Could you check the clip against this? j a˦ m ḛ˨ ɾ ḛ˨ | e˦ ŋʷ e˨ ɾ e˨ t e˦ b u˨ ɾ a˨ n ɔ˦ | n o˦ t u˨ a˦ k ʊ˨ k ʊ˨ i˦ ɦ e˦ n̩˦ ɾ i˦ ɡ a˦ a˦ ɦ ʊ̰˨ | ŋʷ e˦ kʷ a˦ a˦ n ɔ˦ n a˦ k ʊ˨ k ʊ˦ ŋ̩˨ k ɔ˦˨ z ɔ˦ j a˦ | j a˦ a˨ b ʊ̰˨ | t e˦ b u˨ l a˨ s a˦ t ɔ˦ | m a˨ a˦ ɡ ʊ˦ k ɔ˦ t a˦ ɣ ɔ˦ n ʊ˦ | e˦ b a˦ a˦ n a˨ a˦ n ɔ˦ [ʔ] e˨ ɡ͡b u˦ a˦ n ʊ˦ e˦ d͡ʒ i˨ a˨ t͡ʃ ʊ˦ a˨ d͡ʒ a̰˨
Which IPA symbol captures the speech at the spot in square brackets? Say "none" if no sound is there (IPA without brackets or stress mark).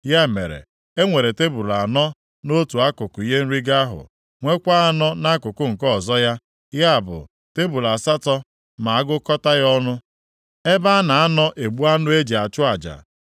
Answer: ʔ